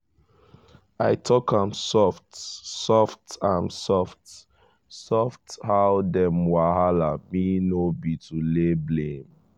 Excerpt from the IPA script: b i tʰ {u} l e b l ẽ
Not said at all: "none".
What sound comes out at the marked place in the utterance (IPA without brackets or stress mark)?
u